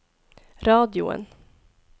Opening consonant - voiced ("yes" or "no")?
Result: yes